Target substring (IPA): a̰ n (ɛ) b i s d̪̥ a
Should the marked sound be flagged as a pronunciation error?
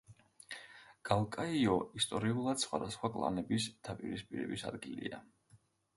no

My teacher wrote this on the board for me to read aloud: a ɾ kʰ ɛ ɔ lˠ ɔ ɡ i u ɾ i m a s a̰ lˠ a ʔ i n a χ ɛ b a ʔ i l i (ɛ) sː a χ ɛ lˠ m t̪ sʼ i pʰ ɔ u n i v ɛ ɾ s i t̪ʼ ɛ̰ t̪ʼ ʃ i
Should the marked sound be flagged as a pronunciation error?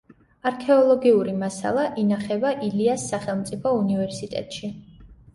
yes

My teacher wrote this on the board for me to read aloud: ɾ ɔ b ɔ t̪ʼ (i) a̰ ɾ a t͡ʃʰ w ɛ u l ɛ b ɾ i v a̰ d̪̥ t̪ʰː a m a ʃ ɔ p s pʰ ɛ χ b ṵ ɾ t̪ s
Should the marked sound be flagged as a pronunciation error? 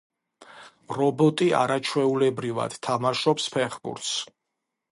no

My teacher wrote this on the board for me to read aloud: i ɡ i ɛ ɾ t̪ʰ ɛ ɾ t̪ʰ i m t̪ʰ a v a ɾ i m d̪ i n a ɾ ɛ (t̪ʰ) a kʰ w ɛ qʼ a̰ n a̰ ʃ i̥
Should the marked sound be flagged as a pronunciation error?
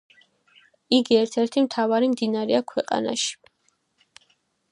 yes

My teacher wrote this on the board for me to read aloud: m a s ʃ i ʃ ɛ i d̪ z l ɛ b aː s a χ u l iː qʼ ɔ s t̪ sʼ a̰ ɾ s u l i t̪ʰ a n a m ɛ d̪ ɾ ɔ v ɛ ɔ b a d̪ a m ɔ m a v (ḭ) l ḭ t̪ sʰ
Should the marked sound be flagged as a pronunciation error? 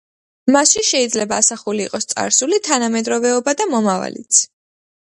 yes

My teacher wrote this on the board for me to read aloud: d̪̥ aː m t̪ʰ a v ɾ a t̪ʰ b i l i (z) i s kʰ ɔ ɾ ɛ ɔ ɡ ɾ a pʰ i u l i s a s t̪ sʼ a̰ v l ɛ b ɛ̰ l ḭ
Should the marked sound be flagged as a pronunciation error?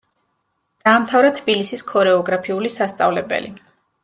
yes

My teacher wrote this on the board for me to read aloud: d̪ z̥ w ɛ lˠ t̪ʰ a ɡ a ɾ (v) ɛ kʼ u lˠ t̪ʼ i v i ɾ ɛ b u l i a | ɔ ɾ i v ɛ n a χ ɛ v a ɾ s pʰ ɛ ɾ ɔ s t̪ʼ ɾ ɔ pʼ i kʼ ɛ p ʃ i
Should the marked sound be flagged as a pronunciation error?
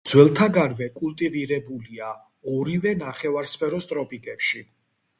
no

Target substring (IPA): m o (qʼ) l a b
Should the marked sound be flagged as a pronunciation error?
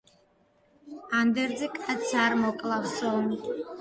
yes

